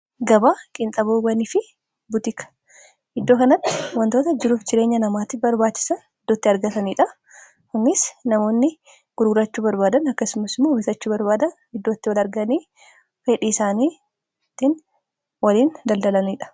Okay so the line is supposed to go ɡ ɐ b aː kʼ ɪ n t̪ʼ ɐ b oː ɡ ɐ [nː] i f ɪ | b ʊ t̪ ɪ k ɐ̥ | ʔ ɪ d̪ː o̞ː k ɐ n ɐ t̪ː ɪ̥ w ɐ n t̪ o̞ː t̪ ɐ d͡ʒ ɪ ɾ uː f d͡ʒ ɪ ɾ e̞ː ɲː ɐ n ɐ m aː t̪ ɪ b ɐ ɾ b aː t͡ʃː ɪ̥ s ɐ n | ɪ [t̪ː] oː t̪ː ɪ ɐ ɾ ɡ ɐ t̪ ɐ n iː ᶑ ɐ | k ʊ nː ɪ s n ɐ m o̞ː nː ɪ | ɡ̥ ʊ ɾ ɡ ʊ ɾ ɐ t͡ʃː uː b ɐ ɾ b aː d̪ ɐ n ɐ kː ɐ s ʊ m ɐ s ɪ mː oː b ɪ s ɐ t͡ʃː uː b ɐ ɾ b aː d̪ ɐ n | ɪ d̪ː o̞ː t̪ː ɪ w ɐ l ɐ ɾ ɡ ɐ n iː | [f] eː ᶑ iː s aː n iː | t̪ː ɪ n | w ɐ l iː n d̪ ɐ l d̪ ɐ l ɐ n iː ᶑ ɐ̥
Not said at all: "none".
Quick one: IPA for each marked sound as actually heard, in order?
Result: n, d̪ː, f

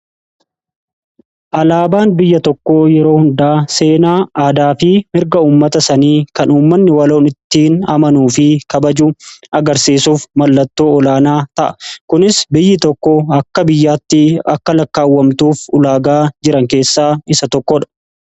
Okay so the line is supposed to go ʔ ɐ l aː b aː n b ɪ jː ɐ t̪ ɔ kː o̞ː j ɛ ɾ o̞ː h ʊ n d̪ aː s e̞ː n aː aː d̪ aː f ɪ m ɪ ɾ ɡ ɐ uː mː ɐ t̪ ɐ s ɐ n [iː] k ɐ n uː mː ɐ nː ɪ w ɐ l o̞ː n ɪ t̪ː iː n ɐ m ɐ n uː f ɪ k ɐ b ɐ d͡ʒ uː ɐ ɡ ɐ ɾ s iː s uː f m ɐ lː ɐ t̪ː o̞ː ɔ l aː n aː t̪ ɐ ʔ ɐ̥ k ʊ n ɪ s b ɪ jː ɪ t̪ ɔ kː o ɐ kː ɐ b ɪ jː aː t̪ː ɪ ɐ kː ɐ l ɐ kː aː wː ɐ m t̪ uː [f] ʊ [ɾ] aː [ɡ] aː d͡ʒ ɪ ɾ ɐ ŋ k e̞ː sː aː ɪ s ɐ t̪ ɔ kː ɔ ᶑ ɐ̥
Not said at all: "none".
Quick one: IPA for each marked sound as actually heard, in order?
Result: iː, f, l, ɡ

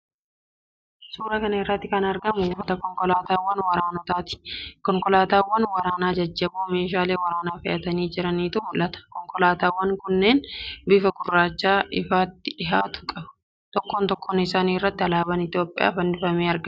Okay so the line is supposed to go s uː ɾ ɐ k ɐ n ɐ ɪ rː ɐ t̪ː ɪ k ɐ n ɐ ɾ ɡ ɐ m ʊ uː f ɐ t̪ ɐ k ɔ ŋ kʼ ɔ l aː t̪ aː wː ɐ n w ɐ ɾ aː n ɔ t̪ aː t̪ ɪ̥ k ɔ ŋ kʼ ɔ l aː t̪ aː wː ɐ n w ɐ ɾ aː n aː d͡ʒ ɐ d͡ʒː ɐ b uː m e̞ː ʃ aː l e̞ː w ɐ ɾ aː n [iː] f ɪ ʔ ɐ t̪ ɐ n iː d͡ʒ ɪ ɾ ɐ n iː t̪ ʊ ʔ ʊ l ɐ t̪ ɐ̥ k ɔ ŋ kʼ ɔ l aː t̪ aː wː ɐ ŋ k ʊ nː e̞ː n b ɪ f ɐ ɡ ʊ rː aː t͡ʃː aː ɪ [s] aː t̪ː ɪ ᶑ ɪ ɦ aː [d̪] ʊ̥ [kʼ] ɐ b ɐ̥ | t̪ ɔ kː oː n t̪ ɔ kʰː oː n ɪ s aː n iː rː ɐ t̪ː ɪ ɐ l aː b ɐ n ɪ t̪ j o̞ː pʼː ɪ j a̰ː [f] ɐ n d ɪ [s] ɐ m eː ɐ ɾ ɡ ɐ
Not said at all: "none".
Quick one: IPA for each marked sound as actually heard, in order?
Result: aː, f, t̪, kʼ, f, f

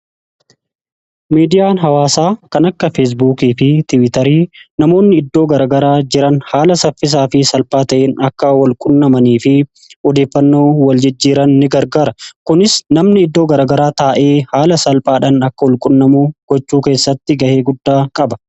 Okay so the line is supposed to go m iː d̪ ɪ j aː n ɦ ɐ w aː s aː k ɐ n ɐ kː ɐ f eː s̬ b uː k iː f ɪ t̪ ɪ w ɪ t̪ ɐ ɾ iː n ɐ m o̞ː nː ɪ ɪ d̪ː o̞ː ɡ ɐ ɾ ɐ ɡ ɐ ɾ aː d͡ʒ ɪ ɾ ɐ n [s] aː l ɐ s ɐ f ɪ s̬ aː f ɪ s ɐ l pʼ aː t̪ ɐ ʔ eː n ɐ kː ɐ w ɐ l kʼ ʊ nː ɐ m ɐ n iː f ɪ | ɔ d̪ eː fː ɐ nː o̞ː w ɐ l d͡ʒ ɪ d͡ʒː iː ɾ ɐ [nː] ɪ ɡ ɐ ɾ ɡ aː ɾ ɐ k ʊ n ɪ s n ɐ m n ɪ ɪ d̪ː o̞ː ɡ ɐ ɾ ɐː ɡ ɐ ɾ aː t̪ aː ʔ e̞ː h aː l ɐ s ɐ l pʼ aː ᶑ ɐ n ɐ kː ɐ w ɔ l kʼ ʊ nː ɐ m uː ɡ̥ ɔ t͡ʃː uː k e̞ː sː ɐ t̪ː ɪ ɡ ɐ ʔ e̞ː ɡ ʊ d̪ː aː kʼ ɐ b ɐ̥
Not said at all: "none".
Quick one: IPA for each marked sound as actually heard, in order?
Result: h, nː

